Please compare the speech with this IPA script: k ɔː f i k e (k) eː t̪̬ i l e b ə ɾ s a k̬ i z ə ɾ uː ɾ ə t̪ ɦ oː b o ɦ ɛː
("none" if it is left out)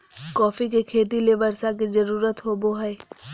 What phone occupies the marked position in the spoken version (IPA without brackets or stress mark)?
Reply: kʰ